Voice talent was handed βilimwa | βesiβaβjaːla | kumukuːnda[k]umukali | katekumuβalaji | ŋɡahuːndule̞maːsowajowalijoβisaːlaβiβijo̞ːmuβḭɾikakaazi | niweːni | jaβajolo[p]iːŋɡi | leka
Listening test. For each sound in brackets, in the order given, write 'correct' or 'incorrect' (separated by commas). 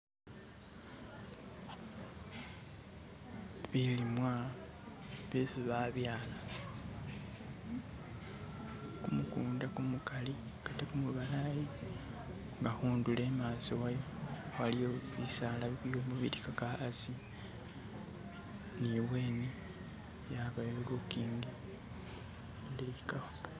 correct, incorrect